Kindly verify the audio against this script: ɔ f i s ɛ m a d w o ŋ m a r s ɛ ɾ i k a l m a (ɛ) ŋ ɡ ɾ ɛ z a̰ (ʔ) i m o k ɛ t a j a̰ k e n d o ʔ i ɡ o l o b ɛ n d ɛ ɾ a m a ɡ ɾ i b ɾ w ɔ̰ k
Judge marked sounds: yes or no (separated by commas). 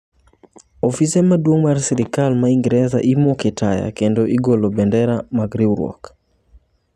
no, yes